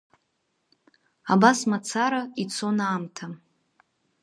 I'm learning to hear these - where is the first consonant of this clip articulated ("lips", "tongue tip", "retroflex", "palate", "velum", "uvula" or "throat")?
lips